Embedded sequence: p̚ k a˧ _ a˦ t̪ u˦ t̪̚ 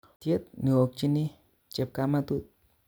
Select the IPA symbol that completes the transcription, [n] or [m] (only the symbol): m